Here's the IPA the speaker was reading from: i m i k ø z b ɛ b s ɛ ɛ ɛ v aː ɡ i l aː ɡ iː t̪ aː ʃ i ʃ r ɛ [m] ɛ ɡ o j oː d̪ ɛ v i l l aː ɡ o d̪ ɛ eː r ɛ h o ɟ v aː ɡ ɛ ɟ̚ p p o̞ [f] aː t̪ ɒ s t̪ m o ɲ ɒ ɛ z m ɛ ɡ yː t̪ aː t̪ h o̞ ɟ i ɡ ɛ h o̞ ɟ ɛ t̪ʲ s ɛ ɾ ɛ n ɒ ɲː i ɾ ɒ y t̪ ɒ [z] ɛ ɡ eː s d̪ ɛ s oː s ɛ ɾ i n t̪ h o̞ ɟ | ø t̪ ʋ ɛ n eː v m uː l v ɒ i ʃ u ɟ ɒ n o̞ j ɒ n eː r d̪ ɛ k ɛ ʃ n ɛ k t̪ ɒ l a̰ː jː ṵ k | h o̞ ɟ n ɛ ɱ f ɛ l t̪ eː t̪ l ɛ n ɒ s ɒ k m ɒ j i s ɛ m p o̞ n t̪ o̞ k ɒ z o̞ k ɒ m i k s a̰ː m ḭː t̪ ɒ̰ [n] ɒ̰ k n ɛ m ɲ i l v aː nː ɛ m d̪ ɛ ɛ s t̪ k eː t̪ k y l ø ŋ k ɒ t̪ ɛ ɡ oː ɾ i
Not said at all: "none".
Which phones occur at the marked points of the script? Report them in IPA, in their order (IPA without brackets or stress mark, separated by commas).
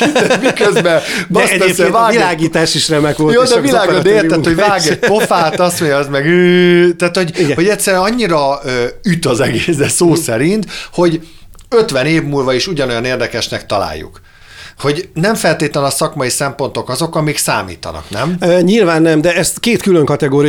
m, f, z, n